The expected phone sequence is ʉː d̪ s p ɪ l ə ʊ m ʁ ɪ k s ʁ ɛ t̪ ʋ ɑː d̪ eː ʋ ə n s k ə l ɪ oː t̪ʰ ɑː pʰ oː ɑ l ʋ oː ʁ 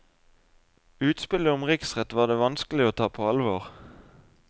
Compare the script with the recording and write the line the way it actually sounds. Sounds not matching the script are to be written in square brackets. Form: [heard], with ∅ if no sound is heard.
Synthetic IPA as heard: ʉː [t̪] s p ɪ l ə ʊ m ʁ ɪ k s ʁ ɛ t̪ ʋ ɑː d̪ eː ʋ [ɑ] n s k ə l ɪ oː t̪ʰ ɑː pʰ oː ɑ l ʋ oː ʁ